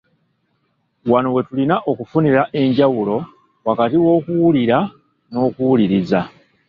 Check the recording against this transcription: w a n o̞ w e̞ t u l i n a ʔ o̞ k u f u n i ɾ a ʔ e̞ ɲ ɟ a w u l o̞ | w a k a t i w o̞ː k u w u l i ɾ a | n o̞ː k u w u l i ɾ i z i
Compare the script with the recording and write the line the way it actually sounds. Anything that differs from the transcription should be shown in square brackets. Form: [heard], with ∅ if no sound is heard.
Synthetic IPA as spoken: w a n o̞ w e̞ t u l i n a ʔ o̞ k u f u n i ɾ a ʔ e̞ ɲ ɟ a w u l o̞ | w a k a t i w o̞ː k u w u l i ɾ a | n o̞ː k u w u l i ɾ i z [a]